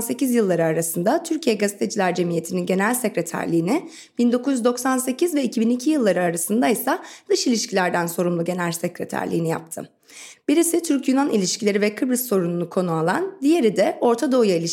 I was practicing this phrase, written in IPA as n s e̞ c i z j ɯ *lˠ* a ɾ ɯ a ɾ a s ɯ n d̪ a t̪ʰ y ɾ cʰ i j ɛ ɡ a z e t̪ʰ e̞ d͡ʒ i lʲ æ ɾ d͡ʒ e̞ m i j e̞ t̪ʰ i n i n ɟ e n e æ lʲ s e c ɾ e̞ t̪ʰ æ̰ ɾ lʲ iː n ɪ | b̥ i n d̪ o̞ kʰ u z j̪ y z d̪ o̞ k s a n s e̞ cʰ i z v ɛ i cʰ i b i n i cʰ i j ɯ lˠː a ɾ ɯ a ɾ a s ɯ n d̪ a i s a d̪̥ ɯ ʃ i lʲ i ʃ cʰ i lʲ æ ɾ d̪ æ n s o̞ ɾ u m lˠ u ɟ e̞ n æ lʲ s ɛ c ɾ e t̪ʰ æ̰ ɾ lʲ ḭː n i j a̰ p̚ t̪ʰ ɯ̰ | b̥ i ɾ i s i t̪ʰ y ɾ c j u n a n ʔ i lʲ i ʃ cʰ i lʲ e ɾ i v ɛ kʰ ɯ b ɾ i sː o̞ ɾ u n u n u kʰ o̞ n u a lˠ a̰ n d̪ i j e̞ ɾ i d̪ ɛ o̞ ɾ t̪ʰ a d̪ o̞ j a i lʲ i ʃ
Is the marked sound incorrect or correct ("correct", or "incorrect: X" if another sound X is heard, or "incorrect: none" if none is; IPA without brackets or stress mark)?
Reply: incorrect: lˠː